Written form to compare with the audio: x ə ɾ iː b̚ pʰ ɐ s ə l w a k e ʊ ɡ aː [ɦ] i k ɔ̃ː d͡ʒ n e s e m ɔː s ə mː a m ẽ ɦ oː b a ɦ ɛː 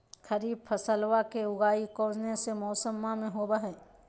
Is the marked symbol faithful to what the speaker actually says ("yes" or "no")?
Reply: no